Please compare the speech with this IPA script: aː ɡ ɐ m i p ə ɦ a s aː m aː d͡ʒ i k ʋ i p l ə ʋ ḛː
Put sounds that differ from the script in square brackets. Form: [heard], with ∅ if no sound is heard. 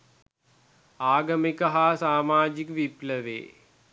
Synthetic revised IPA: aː ɡ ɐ m i [k] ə ɦ a s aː m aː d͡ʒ i k ʋ i p l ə ʋ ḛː